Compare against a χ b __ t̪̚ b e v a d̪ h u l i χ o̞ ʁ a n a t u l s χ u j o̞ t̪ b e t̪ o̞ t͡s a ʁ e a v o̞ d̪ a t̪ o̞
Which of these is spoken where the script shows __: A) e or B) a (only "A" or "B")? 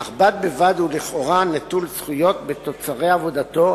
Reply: B